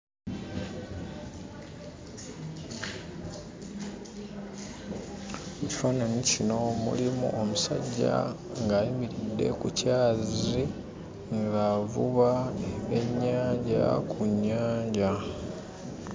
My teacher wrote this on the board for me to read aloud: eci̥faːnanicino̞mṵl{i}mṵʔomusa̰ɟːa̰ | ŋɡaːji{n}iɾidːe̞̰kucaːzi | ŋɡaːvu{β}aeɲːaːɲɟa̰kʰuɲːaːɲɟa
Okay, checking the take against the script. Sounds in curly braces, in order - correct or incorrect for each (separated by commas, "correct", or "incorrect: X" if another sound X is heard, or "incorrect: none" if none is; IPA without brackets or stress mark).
correct, incorrect: m, correct